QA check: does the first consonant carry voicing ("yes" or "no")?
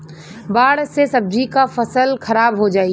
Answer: yes